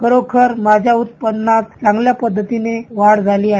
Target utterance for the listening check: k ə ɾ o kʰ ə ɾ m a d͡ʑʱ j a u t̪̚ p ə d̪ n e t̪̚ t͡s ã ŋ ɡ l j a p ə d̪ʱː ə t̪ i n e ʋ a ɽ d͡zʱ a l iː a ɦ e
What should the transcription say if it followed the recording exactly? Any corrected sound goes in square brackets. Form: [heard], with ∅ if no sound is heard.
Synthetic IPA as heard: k ə ɾ o kʰ ə ɾ m a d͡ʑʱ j a u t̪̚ p ə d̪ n [a] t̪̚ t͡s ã ŋ ɡ l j a p ə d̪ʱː ə t̪ i n e ʋ a ɽ d͡zʱ a l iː a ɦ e